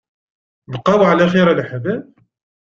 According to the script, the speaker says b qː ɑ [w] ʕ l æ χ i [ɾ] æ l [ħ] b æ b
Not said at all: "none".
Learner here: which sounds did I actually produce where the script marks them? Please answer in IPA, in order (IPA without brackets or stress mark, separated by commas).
w, ɾ, ħ